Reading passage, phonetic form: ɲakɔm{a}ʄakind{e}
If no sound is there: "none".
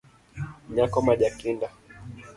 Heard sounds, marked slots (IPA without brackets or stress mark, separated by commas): a, a